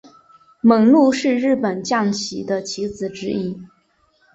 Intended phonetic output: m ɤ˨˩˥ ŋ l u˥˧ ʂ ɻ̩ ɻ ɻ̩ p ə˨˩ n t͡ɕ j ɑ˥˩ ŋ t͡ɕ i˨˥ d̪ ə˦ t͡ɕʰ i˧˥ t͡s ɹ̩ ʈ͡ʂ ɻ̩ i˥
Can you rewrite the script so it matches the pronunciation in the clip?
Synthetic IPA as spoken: m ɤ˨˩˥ ŋ l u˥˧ ʂ ɻ̩ ɻ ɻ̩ p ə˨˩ n t͡ɕ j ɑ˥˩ ŋ t͡ɕʰ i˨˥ d̪ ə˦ t͡ɕʰ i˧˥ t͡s ɹ̩ ʈ͡ʂ ɻ̩ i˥